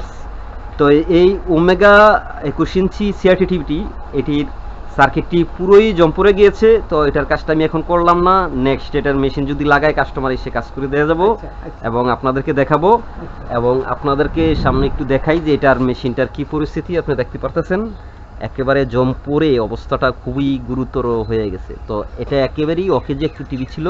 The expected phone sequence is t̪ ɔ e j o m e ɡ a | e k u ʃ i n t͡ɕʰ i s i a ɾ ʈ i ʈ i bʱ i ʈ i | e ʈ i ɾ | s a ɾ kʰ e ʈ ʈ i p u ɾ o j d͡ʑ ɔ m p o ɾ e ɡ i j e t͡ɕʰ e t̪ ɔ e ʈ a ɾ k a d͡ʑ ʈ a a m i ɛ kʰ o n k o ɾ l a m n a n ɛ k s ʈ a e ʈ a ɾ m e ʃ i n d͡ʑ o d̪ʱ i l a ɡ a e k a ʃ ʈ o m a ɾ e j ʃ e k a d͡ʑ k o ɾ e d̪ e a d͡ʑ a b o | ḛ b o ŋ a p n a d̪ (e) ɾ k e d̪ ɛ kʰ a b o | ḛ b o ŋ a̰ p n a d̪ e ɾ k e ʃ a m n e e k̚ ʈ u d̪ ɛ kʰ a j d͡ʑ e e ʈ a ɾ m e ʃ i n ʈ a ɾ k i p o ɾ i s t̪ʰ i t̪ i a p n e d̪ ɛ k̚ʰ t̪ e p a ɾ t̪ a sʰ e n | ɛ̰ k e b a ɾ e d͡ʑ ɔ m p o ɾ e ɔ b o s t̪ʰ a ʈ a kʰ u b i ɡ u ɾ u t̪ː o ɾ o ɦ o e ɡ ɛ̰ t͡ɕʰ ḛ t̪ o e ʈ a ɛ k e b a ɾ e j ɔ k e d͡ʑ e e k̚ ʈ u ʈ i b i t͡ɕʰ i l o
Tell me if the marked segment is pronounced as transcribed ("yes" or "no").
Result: yes